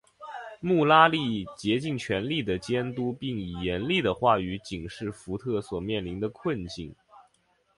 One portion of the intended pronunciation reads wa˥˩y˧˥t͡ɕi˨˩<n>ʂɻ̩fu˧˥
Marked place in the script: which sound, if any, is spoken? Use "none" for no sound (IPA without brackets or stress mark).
ŋ